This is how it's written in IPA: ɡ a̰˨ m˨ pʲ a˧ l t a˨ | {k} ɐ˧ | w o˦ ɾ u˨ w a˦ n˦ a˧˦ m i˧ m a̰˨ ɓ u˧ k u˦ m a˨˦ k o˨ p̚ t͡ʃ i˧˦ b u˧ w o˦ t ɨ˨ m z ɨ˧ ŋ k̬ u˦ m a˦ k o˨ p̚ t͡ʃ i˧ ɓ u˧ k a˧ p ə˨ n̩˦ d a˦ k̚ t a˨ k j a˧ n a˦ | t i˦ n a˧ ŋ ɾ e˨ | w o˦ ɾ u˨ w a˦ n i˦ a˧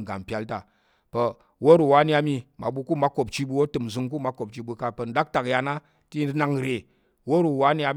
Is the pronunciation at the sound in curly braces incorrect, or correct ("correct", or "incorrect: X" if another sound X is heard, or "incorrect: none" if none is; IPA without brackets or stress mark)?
incorrect: p